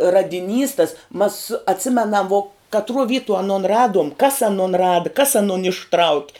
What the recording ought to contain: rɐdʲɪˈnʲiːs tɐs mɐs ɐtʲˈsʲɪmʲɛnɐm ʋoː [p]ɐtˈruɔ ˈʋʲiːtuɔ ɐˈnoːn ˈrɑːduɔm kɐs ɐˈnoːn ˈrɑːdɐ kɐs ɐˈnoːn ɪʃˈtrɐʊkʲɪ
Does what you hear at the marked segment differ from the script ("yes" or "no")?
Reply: yes